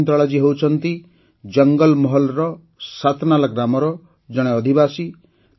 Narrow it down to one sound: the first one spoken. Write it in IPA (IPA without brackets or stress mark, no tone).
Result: n